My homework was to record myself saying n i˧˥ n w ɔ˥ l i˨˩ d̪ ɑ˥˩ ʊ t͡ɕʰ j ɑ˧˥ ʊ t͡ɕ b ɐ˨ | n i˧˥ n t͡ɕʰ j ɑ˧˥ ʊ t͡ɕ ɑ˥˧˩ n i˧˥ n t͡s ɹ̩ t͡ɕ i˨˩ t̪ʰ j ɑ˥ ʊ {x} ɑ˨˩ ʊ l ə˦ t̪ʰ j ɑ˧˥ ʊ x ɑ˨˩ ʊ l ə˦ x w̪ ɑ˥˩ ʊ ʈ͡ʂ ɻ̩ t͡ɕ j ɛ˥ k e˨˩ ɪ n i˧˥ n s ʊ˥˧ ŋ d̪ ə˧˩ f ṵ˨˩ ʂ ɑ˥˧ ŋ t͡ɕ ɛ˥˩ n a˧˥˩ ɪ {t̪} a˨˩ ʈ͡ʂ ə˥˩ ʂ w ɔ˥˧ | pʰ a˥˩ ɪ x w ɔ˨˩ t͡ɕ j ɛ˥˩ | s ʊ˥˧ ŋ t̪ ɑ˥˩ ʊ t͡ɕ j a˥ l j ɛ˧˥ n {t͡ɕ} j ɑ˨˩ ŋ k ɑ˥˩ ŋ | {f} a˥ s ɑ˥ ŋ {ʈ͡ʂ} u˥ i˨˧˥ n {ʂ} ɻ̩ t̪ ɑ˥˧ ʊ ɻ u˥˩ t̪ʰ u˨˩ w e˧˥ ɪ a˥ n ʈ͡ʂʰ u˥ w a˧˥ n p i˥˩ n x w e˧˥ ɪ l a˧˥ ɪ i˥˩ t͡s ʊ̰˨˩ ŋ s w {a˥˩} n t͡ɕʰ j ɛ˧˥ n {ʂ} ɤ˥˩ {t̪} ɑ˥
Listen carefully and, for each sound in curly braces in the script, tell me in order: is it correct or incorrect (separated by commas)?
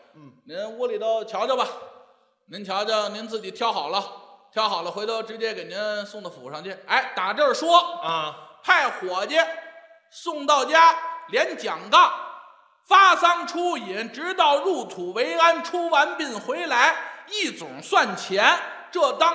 correct, correct, correct, correct, incorrect, incorrect, correct, incorrect, correct